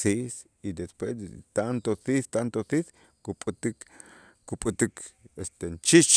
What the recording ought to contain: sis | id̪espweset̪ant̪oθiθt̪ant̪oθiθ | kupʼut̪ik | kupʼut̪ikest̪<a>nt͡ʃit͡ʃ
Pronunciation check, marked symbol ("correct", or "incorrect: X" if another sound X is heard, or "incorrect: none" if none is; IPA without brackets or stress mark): incorrect: e